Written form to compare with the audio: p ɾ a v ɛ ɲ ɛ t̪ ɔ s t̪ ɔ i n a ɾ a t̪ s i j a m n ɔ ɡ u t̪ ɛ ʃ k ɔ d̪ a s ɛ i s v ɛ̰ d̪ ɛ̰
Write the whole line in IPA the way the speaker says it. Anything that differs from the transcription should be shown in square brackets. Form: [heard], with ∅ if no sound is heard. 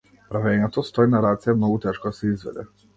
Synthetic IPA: p ɾ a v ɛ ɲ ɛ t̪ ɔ s t̪ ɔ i n a ɾ a t̪ s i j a m n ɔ ɡ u t̪ ɛ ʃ k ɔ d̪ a s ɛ i [z] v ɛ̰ d̪ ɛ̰